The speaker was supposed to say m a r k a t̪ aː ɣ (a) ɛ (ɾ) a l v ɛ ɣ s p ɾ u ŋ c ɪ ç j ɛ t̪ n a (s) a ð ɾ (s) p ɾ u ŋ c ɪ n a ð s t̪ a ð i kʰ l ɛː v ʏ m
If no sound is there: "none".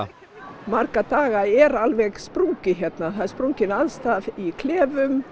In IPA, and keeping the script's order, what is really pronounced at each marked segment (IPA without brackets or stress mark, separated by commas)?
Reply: a, ɾ, θ, s